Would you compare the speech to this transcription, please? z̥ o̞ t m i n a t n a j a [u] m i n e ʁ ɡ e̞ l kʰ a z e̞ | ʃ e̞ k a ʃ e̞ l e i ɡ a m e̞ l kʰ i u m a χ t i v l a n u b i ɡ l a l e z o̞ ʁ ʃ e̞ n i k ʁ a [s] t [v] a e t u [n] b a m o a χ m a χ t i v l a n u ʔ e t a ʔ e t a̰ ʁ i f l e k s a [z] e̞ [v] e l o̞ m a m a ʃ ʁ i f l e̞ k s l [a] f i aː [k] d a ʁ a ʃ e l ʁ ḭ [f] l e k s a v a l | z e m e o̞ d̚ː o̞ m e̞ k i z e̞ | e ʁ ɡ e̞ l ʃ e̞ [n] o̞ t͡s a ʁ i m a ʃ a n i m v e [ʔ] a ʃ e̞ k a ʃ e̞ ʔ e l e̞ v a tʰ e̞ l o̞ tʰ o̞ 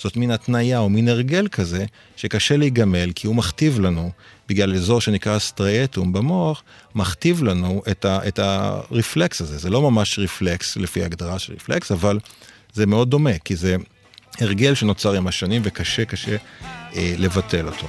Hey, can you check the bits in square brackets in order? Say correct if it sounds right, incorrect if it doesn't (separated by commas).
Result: incorrect, correct, incorrect, incorrect, correct, incorrect, incorrect, incorrect, correct, correct, incorrect